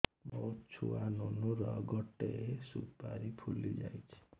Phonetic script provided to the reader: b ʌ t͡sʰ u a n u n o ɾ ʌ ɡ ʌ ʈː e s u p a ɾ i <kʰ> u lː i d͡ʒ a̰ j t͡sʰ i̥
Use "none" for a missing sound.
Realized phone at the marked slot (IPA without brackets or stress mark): pʰ